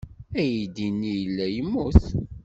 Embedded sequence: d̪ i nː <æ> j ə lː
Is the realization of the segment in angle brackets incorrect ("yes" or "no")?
yes